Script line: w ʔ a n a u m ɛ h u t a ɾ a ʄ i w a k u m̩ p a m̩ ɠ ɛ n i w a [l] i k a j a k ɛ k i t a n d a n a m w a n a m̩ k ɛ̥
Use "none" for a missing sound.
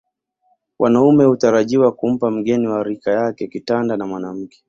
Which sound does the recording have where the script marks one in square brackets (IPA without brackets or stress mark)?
ɾ